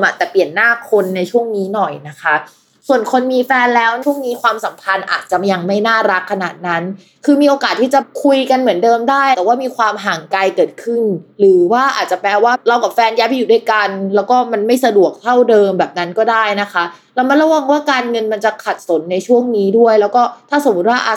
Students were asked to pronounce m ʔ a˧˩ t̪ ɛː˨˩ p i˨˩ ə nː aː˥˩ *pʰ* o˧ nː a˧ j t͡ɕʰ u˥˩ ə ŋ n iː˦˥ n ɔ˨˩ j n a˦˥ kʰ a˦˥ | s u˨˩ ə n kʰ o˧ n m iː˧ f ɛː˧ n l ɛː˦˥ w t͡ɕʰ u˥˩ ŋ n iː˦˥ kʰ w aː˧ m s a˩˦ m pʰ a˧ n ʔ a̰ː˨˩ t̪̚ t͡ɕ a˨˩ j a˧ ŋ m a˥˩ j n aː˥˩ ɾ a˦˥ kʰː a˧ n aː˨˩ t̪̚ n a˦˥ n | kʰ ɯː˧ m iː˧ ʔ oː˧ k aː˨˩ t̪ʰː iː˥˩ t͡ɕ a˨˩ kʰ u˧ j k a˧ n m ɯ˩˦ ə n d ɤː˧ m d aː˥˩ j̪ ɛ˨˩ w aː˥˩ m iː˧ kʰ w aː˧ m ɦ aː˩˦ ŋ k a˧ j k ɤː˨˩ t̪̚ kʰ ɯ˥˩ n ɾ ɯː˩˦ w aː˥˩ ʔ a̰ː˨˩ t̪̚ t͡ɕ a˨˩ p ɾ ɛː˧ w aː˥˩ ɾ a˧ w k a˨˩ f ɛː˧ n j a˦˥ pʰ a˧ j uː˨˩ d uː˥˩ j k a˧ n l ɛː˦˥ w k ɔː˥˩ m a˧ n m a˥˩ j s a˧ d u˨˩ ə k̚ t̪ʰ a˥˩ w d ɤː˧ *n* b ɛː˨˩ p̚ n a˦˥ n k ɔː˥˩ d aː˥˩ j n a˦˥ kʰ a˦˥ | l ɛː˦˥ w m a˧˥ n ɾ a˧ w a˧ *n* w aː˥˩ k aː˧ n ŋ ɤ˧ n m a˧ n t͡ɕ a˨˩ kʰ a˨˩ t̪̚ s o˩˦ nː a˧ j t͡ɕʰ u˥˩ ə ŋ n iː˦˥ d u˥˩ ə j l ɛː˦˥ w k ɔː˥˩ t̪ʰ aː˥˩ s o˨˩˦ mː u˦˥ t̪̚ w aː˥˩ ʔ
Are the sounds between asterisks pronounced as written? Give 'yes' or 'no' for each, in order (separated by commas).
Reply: no, no, no